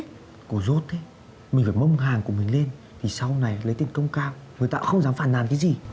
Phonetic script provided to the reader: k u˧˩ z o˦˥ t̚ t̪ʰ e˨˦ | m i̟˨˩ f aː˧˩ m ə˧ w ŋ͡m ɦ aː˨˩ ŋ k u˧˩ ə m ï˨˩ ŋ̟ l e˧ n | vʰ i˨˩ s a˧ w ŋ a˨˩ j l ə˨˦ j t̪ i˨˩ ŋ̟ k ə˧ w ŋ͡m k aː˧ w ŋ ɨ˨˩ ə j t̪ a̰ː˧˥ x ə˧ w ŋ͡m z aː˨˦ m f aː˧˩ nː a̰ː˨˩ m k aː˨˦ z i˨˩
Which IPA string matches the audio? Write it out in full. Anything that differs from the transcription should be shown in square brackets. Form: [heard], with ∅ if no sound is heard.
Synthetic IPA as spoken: k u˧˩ z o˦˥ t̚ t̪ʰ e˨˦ | m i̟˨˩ f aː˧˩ m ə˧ w ŋ͡m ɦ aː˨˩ ŋ k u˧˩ ə m ï˨˩ ŋ̟ l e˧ n | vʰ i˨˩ s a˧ w [n] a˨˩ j l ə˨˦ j t̪ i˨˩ ŋ̟ k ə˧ w ŋ͡m k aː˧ w ŋ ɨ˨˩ ə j t̪ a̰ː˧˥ x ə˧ w ŋ͡m z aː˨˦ m f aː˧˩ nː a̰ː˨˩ [n] k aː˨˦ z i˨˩